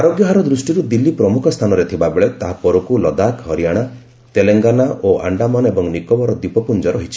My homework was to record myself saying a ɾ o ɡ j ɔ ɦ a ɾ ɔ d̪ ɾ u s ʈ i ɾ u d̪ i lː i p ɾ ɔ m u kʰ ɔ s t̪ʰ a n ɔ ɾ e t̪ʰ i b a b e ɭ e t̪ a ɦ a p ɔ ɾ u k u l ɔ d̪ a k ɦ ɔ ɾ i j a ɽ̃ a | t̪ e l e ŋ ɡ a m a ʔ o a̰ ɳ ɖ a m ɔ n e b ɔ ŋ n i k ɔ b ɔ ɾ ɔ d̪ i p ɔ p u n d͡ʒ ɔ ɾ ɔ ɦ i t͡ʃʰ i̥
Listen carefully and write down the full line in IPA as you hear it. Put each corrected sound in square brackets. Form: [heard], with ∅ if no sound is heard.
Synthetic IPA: a ɾ o ɡ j ɔ ɦ a ɾ ɔ d̪ ɾ u s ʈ i ɾ u d̪ i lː i p ɾ ɔ m u kʰ ɔ s t̪ʰ a n ɔ ɾ e t̪ʰ i b a b e ɭ e t̪ a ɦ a p ɔ ɾ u k u l ɔ d̪ a k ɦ ɔ ɾ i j a ɽ̃ a | t̪ e l e ŋ ɡ a [n] a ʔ o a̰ ɳ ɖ a m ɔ n e b ɔ ŋ n i k ɔ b ɔ ɾ ɔ d̪ i p ɔ p u n d͡ʒ ɔ ɾ ɔ ɦ i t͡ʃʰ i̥